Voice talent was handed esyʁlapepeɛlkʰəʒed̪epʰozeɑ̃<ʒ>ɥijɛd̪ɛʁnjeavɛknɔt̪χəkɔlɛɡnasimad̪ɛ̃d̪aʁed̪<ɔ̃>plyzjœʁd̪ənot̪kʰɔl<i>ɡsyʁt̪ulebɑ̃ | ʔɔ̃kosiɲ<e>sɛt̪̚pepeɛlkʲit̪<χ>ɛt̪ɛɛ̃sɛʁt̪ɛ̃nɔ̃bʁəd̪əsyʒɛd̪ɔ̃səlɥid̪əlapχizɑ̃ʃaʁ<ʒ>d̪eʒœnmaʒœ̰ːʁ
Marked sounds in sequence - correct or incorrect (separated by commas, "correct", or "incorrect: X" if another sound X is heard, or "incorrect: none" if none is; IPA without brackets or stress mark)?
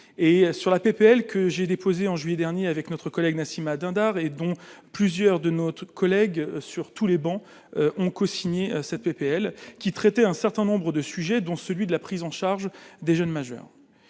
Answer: correct, correct, incorrect: ɛ, correct, correct, correct